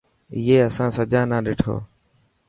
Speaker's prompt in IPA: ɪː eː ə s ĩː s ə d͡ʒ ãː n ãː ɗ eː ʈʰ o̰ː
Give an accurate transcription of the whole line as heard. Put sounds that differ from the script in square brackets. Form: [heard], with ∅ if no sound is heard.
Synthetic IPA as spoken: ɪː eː ə s [ãː] s ə d͡ʒ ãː n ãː ɗ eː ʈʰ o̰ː